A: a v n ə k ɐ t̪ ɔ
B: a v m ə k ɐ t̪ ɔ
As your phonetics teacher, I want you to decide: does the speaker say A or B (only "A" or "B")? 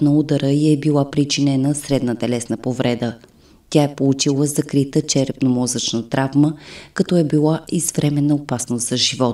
B